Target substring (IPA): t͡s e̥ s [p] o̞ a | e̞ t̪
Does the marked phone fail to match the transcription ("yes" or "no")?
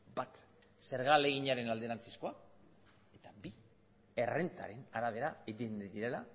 yes